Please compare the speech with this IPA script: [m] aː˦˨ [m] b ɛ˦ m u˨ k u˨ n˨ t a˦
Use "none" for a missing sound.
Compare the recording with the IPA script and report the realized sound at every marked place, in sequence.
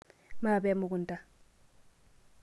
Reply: m, none

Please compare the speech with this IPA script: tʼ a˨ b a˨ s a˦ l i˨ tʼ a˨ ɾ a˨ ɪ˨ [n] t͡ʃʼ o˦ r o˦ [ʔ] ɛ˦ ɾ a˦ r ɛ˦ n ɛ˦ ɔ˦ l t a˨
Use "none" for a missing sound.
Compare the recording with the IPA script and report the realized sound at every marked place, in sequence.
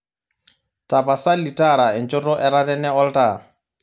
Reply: n, ʔ

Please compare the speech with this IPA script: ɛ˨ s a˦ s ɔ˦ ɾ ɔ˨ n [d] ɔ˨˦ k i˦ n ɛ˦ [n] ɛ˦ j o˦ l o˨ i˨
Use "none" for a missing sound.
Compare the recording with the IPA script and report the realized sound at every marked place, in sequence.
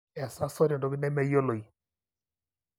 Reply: d, m

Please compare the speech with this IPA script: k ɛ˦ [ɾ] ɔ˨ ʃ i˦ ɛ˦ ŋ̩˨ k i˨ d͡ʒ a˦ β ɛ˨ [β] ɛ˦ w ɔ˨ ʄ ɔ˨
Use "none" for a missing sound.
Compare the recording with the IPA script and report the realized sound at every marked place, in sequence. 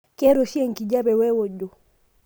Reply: ɾ, w

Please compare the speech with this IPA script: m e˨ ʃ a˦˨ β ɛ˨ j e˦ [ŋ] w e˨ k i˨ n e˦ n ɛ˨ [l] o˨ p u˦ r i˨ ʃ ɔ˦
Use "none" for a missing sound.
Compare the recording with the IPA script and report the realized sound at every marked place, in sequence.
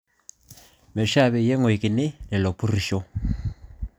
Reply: ŋ, l

